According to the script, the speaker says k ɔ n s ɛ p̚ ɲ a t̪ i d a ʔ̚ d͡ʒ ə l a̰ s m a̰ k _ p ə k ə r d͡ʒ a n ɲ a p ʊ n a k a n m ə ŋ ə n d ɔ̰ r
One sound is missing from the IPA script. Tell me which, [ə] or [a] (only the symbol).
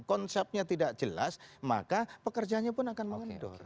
a